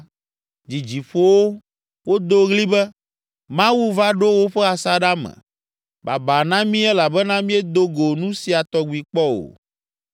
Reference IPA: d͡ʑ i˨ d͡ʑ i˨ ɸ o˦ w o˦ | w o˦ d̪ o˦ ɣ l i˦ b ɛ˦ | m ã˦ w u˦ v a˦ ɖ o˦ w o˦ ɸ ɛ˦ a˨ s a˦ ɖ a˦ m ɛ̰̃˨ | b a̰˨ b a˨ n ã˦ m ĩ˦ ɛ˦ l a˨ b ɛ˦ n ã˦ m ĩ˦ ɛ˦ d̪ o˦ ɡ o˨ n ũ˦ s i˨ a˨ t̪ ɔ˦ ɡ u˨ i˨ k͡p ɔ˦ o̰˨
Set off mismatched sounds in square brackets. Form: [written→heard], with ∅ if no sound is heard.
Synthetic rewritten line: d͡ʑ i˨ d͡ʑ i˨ ɸ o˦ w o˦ | w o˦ d̪ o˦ ɣ l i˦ b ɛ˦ | m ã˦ w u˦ v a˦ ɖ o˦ w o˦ ɸ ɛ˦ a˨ s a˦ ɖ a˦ m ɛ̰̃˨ | b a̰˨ b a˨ n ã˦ m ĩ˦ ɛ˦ l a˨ b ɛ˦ n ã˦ m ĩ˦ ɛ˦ d̪ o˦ ɡ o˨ n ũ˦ s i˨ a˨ t̪ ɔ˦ ɡ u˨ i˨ k͡p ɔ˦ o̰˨